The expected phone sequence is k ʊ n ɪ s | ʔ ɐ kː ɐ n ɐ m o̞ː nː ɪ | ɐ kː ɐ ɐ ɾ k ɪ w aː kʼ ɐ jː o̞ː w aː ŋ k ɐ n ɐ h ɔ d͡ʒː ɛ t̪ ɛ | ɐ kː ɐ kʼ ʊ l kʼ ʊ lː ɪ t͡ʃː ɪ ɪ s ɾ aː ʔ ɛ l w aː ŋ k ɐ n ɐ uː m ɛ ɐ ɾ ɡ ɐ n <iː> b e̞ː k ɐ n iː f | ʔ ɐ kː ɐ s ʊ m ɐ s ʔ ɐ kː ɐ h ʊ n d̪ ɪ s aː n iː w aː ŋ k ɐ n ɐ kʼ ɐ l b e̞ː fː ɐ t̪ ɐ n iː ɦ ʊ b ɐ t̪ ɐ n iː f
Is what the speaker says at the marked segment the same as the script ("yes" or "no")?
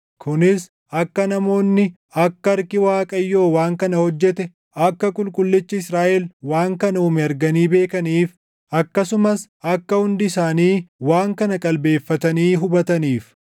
yes